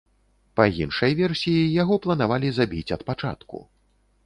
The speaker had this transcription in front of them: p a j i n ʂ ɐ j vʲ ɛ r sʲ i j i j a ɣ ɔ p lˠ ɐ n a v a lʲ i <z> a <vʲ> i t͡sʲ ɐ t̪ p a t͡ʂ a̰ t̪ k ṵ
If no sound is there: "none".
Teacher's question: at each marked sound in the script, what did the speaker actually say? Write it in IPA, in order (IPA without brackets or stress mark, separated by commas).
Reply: z, bʲ